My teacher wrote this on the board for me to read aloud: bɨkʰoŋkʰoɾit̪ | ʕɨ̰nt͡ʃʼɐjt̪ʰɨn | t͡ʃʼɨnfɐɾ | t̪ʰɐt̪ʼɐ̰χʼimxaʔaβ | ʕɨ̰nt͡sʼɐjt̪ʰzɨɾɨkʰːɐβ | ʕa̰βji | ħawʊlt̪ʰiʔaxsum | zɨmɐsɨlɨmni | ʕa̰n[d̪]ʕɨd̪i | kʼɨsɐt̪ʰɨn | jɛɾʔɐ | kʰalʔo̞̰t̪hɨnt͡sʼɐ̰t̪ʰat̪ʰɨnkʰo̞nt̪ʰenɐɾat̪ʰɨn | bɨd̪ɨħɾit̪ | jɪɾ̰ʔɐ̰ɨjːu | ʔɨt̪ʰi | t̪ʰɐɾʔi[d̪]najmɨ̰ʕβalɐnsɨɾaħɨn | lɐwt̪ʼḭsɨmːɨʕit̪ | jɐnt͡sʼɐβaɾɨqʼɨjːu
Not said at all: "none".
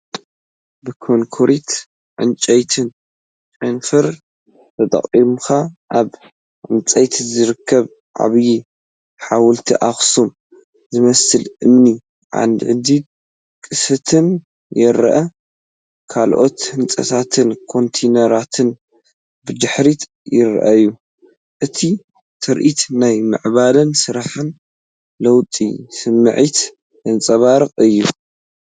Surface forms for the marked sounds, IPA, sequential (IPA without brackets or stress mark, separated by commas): d̪, t̪